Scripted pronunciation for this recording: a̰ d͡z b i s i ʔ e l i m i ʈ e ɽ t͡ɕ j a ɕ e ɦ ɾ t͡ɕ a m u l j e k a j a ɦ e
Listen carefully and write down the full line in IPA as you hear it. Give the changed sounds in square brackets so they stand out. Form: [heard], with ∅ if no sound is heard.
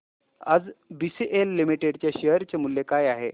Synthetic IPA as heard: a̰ d͡z b i s i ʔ e [lː] i m i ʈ e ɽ t͡ɕ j a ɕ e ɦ ɾ t͡ɕ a m u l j e k a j a ɦ e

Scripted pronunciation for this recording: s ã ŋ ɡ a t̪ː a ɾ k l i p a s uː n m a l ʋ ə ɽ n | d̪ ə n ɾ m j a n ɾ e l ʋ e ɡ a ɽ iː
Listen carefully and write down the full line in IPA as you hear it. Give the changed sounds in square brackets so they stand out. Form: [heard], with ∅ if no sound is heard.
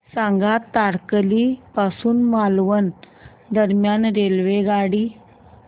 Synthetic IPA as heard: s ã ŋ ɡ a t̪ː a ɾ k l i p a s uː n m a l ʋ ə [∅] n | d̪ ə [∅] ɾ m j a n ɾ e l ʋ e ɡ a ɽ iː

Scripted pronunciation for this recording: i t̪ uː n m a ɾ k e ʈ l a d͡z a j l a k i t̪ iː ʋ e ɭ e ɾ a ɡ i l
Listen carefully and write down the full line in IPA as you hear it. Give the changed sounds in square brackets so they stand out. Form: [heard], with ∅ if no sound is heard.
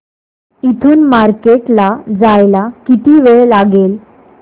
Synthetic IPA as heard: i [t̪ʰ] uː n m a ɾ k e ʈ l a d͡z a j l a k i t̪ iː ʋ e ɭ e [l] a ɡ [e] l

